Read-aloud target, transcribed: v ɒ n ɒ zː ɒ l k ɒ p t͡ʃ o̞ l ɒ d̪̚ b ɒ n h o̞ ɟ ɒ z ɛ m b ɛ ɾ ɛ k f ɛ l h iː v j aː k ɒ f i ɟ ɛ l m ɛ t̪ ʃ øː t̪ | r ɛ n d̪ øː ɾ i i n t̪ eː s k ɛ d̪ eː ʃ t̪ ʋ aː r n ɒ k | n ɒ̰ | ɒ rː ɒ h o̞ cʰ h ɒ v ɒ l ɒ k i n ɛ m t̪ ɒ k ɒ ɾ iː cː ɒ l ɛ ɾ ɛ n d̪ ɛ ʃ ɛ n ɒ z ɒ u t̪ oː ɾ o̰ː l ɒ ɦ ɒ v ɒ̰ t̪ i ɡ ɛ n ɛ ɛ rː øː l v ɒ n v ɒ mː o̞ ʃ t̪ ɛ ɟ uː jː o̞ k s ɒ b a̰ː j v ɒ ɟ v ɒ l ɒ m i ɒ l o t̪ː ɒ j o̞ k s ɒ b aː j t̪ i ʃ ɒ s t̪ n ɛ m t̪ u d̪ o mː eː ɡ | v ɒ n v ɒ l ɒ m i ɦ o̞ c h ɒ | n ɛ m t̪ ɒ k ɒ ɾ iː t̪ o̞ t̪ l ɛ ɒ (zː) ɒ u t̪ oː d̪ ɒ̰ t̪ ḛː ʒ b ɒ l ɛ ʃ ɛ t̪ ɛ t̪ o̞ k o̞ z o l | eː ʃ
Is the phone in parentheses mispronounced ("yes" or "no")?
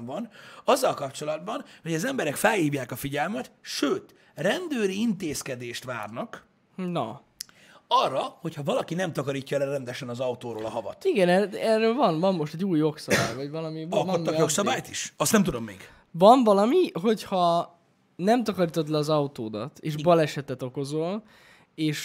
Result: yes